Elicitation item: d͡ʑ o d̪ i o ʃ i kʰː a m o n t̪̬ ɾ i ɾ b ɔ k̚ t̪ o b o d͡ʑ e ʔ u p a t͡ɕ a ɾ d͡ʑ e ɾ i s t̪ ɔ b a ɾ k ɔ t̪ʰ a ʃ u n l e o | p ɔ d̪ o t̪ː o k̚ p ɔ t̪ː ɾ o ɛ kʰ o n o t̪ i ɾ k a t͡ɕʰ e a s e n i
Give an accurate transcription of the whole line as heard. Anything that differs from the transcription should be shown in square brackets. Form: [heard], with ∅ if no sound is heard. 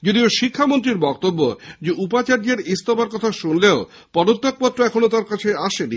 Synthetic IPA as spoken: d͡ʑ o d̪ i o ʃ i kʰː a m o n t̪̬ ɾ i ɾ b ɔ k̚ t̪ o [bː] o d͡ʑ e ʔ u p a t͡ɕ a ɾ d͡ʑ e ɾ i s t̪ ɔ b a ɾ k ɔ t̪ʰ a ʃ u n l e o | p ɔ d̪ o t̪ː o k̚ p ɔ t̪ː ɾ o ɛ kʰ o n o t̪ [a] ɾ k a t͡ɕʰ e a [ʃ] e n i